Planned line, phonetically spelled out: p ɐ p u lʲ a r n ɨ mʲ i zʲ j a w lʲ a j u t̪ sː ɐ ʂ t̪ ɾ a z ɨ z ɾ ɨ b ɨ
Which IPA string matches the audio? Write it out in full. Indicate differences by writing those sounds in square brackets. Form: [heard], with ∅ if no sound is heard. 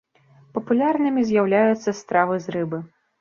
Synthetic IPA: p ɐ p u lʲ a r n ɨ mʲ i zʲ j a w lʲ a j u t̪ sː ɐ [s] t̪ ɾ a [v] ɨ z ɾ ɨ b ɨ